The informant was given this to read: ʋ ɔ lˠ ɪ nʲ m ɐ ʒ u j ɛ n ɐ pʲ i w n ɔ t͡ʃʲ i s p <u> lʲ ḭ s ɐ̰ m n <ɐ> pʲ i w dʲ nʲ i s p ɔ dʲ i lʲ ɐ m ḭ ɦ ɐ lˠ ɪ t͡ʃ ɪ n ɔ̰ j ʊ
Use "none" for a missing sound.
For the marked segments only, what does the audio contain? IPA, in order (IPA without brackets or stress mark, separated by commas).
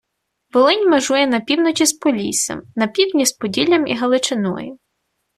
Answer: ɔ, ɐ